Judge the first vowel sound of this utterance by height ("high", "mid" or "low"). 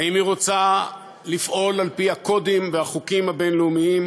low